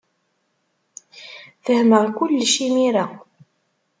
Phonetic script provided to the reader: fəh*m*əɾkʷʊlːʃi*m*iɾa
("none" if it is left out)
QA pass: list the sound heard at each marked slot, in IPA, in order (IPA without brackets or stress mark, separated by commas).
m, m